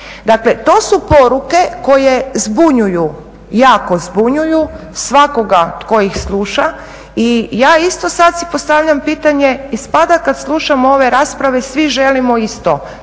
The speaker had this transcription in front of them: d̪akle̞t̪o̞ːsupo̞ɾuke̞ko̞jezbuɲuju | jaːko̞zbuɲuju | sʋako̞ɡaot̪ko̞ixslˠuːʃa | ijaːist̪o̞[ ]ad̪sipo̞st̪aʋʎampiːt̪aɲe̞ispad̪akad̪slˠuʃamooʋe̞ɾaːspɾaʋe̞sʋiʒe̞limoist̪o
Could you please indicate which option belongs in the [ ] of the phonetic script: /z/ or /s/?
s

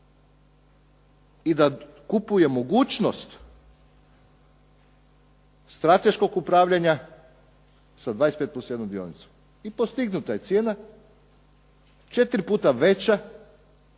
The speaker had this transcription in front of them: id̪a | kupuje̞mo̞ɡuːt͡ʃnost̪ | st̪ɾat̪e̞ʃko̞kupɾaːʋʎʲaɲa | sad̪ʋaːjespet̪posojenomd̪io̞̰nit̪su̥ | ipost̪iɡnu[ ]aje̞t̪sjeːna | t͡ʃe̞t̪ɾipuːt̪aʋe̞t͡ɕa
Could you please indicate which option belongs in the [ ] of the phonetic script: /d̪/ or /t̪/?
t̪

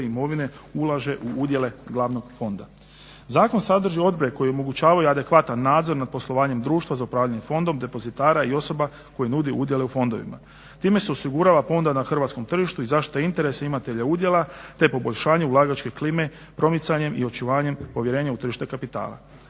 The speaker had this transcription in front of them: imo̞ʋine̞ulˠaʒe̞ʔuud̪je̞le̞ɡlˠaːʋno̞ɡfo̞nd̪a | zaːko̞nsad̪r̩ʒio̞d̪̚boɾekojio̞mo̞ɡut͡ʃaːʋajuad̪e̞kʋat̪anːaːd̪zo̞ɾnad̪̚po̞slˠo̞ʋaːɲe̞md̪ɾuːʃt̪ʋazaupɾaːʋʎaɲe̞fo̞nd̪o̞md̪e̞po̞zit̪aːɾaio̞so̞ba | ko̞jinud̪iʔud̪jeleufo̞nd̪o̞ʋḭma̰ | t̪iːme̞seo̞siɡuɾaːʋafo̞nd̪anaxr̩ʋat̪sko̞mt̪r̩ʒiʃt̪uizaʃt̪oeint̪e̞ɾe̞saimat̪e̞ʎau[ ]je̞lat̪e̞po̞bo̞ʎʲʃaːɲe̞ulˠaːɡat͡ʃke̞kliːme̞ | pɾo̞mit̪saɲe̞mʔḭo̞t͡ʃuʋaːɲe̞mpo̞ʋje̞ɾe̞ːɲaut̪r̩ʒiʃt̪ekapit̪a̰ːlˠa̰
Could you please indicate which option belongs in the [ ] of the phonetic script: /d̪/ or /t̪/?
d̪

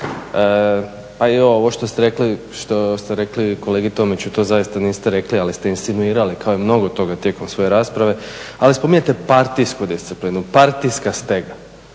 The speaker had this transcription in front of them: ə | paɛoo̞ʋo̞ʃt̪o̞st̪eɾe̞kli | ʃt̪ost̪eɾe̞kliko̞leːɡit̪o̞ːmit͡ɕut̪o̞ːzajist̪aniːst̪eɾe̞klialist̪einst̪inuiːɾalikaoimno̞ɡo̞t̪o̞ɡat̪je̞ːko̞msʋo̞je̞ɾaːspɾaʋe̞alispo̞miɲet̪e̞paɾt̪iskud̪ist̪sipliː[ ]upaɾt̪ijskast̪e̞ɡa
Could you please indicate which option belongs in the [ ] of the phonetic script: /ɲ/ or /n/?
n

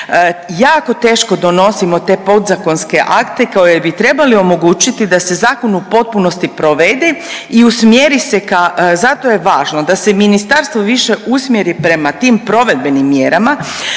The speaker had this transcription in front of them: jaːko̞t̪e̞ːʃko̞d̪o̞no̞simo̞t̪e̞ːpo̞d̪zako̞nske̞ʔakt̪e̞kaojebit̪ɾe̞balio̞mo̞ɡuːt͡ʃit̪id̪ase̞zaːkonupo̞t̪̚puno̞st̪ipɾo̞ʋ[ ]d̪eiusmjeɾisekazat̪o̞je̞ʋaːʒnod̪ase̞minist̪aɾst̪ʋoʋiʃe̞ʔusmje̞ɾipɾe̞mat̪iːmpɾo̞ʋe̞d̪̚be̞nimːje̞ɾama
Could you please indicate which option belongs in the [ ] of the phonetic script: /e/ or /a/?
e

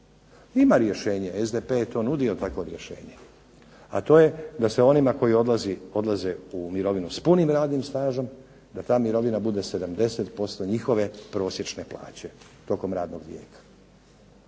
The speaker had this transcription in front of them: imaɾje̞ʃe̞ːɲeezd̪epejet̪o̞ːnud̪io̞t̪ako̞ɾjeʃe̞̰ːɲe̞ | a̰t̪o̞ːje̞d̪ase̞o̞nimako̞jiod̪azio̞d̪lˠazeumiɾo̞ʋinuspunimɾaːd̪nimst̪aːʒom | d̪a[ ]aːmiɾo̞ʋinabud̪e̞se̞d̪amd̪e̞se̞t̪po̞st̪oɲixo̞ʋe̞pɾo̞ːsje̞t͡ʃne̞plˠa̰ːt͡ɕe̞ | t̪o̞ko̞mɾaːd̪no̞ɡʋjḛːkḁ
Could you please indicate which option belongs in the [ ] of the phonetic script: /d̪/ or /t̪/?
t̪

